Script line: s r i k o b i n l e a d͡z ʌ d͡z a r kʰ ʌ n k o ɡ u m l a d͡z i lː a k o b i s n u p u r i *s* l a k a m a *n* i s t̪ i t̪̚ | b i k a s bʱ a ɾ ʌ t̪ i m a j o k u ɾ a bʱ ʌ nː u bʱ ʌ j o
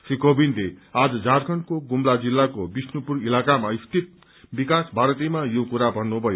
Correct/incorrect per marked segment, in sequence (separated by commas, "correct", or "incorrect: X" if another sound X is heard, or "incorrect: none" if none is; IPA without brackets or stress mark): incorrect: none, incorrect: none